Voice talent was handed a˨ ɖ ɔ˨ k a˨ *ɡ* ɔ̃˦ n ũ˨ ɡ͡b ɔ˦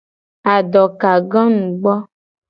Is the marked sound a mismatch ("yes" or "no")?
no